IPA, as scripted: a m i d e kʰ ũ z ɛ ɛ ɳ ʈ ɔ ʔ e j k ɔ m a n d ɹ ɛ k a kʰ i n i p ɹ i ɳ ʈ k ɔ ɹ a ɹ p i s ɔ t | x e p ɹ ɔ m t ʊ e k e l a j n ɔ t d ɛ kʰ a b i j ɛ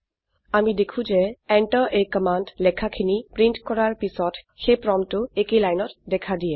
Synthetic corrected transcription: a m i d e kʰ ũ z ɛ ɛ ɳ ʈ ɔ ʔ e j k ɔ m a n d l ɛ kʰ a kʰ i n i p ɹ i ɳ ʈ k ɔ ɹ a ɹ p i s ɔ t | x e p ɹ ɔ m t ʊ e k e l a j n ɔ t d ɛ kʰ a d i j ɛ